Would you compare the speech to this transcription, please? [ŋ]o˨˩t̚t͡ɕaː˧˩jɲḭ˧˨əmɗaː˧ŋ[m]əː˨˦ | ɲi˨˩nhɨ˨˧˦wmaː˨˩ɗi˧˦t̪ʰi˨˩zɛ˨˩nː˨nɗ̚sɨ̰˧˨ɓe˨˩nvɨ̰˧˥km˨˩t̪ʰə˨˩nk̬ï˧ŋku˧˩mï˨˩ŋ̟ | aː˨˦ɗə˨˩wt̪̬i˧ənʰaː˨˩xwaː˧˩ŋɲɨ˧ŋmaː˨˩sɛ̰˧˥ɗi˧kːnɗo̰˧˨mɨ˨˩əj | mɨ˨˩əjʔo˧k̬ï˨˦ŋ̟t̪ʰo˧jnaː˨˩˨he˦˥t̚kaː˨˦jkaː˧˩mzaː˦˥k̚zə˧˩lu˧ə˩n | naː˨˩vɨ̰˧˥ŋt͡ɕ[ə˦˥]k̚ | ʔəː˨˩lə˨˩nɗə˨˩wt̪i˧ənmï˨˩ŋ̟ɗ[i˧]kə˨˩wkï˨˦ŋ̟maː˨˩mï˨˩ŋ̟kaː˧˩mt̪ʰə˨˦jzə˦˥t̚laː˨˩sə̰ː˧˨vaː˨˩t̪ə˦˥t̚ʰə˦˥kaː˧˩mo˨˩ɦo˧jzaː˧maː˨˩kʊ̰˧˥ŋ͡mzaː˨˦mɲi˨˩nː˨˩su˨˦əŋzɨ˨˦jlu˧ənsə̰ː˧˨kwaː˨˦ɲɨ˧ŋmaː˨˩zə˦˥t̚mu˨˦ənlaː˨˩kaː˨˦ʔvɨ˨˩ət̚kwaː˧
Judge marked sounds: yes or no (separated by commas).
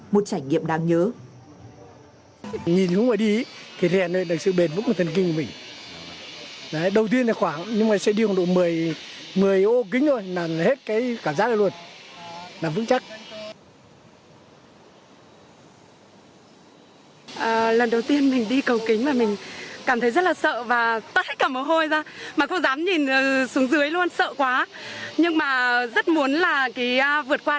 no, no, no, yes